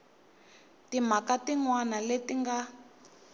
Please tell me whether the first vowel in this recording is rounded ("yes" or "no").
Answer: no